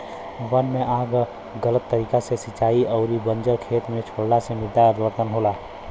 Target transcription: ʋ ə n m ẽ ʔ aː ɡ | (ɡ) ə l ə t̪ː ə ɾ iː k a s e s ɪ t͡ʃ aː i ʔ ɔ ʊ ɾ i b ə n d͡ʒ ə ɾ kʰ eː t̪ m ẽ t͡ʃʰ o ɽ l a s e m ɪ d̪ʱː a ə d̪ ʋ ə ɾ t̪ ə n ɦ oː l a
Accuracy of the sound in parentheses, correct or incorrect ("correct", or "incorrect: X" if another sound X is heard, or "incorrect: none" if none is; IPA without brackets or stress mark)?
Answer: correct